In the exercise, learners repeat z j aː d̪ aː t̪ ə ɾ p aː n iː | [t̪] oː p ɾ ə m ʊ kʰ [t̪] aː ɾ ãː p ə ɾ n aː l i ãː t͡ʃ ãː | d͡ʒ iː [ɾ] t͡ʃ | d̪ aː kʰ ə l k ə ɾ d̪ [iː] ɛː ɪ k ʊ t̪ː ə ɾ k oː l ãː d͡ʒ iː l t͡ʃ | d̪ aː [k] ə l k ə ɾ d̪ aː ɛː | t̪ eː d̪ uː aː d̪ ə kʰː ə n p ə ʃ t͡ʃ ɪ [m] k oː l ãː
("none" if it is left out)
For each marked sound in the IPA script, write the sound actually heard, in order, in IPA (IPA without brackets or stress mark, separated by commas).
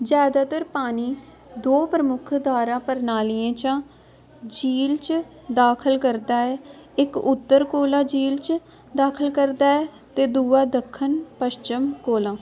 d̪, d̪, l, aː, kʰ, m